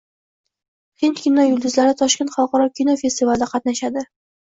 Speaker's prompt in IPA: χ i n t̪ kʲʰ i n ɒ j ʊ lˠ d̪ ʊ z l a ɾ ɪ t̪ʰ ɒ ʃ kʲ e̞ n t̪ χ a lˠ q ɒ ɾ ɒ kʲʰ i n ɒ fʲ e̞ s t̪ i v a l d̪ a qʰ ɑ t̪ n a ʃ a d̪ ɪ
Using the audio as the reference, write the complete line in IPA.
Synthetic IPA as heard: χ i n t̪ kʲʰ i n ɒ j ʊ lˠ d̪ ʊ z l a ɾ ɪ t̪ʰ ɒ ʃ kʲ e̞ n t̪ χ ɑ lˠ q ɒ ɾ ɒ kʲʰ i n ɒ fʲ e̞ s t̪ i v a l d̪ a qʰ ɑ t̪ n a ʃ a d̪ ɪ

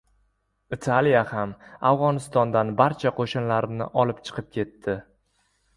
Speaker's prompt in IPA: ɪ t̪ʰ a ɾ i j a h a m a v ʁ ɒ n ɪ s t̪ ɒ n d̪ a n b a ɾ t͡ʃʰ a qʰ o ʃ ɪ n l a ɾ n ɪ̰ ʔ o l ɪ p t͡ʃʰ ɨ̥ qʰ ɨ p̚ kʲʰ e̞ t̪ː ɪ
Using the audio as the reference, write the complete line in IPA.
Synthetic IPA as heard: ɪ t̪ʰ a l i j a h a m a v ʁ ɒ n ɪ s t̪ ɒ n d̪ a n b a ɾ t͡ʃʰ a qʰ o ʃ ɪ n l a ɾ n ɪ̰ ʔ ɒ l ɪ p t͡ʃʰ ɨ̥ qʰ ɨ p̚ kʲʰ e̞ t̪ː ɪ

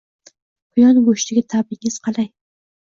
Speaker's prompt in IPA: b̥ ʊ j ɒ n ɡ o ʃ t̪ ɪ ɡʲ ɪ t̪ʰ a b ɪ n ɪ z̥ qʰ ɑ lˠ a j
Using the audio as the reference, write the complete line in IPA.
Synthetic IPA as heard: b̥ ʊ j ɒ n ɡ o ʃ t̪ ɪ ɡʲ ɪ t̪ʰ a b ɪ ŋ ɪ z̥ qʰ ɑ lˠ a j

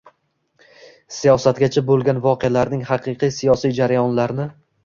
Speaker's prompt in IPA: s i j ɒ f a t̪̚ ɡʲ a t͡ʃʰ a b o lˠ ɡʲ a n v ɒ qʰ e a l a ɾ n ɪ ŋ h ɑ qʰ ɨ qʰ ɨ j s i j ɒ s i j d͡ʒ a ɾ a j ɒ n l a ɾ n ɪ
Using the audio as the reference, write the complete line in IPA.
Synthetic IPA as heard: s i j ɒ s a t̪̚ ɡʲ a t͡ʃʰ a b o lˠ ɡʲ a n v ɒ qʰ e a l a ɾ n ɪ ŋ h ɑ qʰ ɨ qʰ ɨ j s i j ɒ s i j d͡ʒ a ɾ a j ɒ n l a ɾ n ɪ

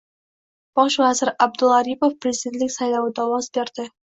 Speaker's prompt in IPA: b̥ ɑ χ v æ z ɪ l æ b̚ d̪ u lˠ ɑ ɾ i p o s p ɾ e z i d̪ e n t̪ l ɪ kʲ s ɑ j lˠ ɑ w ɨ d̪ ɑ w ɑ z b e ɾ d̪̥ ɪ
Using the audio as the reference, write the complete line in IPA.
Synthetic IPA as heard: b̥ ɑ ʃ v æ z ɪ ɾ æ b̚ d̪ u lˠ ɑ ɾ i p o f p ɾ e z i d̪ e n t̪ l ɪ kʲ s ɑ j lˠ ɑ w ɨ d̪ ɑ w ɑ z b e ɾ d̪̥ ɪ

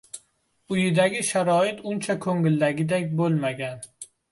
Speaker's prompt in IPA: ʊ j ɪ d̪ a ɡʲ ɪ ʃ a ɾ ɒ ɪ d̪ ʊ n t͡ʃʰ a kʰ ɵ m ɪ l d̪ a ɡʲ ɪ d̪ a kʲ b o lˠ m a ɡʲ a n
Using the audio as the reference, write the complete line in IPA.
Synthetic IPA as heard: ʊ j ɪ d̪ a ɡʲ ɪ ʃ a ɾ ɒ ɪ t̪ ʊ n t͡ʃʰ a kʰ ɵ ŋ ɪ l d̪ a ɡʲ ɪ d̪ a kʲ b o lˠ m a ɡʲ a n

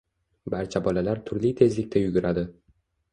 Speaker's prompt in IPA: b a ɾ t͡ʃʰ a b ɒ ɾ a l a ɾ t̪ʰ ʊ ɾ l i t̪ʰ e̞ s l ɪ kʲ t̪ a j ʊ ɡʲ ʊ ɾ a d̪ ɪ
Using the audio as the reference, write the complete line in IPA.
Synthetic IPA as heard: b a ɾ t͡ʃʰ a b ɒ l a l a ɾ t̪ʰ ʊ ɾ l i t̪ʰ e̞ z l ɪ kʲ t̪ a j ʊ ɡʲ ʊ ɾ a d̪ ɪ

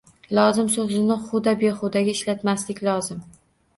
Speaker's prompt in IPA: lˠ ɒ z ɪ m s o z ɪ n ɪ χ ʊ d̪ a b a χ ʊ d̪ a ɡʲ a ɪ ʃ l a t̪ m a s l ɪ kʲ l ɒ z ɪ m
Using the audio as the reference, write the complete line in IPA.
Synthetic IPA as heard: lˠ ɒ z ɪ m s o z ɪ n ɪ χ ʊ d̪ a b e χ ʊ d̪ a ɡʲ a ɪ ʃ l a t̪ m a s l ɪ kʲ l ɒ z ɪ m

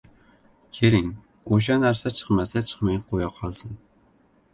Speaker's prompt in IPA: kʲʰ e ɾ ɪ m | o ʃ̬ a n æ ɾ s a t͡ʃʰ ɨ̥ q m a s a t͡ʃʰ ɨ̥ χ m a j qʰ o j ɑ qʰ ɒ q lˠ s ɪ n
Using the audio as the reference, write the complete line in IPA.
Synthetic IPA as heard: kʲʰ e ɾ ɪ ŋ | o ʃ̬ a n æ ɾ s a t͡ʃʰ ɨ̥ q m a s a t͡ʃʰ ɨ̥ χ m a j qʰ o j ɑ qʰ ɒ lˠ s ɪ n

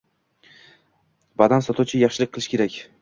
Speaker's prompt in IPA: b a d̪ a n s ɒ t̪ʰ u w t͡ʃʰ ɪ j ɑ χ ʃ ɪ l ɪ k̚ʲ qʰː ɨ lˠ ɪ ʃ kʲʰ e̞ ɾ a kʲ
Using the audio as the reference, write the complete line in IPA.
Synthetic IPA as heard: b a d̪ a n s ɒ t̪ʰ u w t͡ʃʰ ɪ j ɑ χ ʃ ɪ l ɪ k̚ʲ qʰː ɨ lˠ ɪ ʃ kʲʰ e̞ ɾ a kʲ

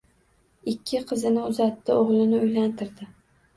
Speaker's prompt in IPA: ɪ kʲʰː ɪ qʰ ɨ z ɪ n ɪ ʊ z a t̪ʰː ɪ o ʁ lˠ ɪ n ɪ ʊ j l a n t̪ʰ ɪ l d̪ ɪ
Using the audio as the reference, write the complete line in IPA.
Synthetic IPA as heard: ɪ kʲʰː ɪ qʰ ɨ z ɪ n ɪ ʊ z a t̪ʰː ɪ o ʁ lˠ ɪ n ɪ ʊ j l a n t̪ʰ ɪ ɾ d̪ ɪ

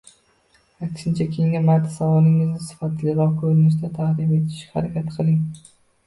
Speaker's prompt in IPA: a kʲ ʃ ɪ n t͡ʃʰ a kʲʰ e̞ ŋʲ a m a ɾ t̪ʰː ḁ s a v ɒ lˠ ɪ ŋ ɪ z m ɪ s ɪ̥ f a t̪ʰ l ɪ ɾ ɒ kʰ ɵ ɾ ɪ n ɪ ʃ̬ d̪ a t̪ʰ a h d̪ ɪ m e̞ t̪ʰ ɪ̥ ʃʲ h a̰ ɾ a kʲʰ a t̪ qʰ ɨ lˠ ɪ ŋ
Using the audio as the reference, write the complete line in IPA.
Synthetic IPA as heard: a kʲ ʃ ɪ n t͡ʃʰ a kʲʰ e̞ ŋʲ a m a ɾ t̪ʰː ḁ s a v ɒ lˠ ɪ ŋ ɪ z n ɪ s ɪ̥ f a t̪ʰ l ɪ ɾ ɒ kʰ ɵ ɾ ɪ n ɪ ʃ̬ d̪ a t̪ʰ a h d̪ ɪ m e̞ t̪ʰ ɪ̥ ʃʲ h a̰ ɾ a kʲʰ a t̪ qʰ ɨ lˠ ɪ ŋ

